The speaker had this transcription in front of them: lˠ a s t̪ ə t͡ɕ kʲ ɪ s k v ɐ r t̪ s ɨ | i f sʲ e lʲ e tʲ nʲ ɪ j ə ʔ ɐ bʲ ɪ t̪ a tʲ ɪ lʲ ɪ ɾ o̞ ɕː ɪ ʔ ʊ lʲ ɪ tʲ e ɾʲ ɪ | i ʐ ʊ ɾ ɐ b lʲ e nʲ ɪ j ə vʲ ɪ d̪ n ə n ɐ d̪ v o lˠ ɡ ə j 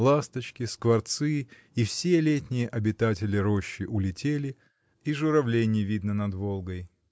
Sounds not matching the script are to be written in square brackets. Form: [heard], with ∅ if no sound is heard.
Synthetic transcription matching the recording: lˠ a s t̪ ə t͡ɕ kʲ ɪ s k v ɐ r t̪ s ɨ | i f sʲ e lʲ e tʲ nʲ ɪ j ə ʔ ɐ bʲ ɪ t̪ a tʲ ɪ lʲ ɪ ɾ o̞ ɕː ɪ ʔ ʊ lʲ ɪ tʲ e [lʲ] ɪ | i ʐ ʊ ɾ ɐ [v] lʲ e nʲ ɪ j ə vʲ [i] d̪ n ə n ɐ d̪ v o lˠ ɡ ə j